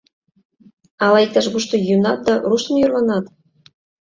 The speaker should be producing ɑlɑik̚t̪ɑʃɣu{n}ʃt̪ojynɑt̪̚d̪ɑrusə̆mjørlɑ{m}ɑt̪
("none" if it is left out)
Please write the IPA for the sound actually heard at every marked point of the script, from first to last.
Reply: none, n

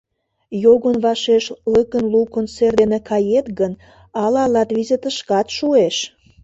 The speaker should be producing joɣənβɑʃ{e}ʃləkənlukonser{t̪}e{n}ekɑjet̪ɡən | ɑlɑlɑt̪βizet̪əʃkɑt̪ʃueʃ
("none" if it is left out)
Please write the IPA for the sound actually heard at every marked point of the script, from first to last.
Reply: e, d̪, n

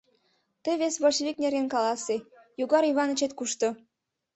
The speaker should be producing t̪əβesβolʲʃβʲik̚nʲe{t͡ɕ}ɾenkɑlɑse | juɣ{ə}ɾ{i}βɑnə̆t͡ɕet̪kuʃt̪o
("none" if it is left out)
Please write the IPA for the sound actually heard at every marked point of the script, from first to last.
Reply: none, ɑ, i

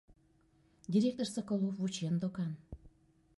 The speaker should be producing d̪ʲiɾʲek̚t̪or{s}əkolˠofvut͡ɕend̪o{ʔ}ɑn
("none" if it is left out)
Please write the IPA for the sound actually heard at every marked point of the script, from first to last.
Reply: s, k

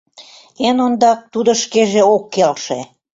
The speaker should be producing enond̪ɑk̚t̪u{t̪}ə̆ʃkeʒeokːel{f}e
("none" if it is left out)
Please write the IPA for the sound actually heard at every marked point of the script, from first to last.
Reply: d̪, ʃ

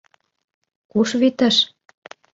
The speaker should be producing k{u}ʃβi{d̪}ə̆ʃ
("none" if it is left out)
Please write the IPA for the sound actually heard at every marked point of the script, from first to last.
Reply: u, t̪

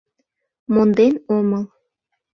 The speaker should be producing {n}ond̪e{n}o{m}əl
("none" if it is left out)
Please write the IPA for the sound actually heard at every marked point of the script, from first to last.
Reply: m, n, m

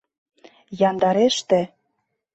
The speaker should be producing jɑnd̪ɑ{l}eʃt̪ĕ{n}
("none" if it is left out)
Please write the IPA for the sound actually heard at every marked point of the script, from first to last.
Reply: ɾ, none

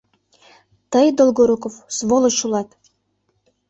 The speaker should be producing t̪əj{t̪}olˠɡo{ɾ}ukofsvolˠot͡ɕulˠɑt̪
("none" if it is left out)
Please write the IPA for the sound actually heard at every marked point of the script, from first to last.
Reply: d̪, ɾ

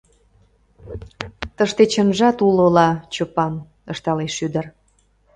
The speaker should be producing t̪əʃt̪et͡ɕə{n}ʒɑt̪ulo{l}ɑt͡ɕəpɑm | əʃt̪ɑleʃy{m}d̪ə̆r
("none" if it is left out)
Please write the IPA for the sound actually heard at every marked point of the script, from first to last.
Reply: n, l, none

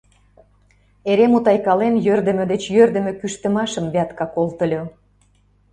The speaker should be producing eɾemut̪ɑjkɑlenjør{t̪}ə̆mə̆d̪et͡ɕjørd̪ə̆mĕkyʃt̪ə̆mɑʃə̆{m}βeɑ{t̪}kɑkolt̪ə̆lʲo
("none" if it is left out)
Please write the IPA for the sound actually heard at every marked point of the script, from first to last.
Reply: d̪, m, t̪

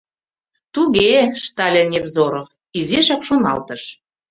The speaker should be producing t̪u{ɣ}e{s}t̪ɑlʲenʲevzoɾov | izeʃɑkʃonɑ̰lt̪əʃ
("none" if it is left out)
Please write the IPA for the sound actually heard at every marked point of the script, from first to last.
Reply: ɣ, ʃ

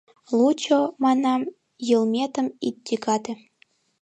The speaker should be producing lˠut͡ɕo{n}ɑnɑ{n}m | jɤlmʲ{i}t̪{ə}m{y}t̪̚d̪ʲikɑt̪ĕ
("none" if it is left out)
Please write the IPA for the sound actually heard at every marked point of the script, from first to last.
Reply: m, none, e, ə, i

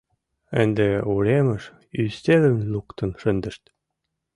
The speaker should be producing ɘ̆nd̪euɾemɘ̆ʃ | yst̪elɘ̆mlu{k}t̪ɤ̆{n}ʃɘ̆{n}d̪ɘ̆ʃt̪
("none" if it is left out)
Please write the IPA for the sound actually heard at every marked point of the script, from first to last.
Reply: k, n, n

